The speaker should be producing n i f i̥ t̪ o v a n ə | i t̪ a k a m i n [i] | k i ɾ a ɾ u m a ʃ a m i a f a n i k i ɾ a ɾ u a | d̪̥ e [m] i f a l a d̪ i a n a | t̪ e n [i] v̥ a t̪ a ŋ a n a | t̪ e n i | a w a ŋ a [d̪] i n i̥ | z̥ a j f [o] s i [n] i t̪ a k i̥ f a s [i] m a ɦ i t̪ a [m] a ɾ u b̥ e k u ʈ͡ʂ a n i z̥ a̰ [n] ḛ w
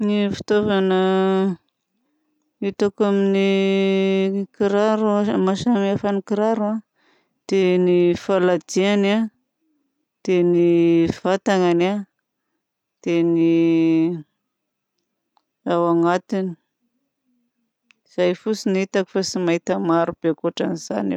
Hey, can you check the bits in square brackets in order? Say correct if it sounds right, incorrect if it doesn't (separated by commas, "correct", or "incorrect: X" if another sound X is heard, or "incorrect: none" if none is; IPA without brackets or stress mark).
correct, incorrect: n, correct, incorrect: t̪, incorrect: u, correct, correct, correct, correct